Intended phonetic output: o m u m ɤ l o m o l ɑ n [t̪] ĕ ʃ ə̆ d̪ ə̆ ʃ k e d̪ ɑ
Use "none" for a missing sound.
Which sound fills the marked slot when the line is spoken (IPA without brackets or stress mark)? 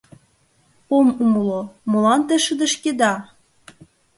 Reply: t̪